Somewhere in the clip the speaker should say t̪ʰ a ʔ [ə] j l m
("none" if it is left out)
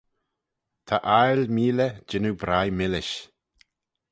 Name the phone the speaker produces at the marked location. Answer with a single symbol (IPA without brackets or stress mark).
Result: a